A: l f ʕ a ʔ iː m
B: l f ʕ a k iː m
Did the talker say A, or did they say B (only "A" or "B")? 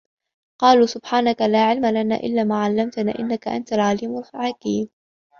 B